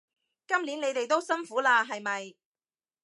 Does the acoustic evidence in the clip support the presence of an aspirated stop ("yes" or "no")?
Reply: no